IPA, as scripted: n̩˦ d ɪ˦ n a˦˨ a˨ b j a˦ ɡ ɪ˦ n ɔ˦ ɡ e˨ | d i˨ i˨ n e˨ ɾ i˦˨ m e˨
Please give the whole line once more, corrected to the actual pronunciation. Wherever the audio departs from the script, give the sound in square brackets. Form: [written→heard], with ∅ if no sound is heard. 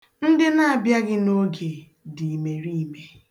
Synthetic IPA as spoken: n̩˦ d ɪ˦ n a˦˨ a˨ b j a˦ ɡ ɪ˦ n [ɔ˦→o˦] ɡ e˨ | d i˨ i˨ [n→m] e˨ ɾ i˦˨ m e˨